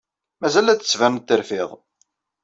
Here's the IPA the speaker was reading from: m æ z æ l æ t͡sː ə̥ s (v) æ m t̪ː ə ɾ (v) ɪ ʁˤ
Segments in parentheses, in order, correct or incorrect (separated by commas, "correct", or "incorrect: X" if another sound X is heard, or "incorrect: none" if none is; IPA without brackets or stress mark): correct, incorrect: f